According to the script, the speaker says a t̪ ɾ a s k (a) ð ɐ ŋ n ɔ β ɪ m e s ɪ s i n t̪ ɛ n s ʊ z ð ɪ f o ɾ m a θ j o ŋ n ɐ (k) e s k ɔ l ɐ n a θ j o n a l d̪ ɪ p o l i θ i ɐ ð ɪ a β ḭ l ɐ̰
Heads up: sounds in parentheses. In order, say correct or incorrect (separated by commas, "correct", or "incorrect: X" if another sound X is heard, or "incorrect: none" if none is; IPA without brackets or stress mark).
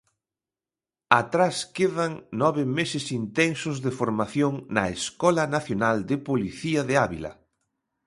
incorrect: e, incorrect: none